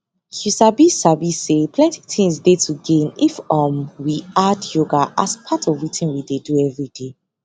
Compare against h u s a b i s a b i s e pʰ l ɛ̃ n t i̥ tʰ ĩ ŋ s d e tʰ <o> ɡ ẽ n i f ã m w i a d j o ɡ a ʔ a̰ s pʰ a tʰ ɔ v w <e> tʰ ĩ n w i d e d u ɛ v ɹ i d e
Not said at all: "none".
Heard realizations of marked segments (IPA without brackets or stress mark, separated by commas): u, i